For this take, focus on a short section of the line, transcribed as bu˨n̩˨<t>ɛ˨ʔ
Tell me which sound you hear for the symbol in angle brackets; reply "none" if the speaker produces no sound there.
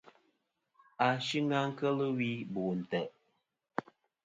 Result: t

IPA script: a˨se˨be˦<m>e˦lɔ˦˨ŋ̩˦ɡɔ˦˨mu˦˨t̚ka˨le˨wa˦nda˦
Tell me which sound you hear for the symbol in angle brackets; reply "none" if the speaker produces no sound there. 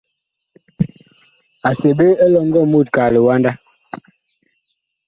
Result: none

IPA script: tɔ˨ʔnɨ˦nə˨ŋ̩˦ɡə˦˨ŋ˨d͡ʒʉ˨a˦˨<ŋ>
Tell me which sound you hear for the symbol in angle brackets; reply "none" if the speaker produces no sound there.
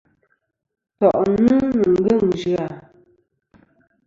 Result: none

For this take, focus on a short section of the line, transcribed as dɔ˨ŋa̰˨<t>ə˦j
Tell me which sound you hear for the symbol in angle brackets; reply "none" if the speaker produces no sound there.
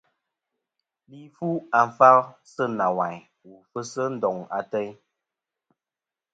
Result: t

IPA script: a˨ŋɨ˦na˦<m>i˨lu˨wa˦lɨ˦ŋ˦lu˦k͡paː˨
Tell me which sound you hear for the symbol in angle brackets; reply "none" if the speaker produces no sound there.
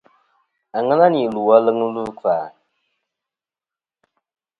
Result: n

